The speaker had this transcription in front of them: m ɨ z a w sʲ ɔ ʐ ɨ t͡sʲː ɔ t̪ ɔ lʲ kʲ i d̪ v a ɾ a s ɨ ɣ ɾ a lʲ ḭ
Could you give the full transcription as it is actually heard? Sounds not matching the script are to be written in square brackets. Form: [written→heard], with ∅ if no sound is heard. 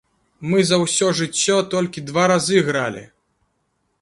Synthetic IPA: m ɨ z [a→ɐ] w sʲ ɔ ʐ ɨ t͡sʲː ɔ t̪ ɔ lʲ kʲ i d̪ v a ɾ a [s→z] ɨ ɣ ɾ a lʲ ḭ